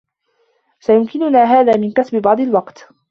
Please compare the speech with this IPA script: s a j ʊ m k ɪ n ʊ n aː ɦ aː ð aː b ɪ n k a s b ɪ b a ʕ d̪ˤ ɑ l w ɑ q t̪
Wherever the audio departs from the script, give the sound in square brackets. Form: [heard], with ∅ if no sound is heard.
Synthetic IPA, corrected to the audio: s a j ʊ m k ɪ n ʊ n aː ɦ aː ð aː [m] ɪ n k a s b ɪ b [ɑ] ʕ d̪ˤ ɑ l w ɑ q t̪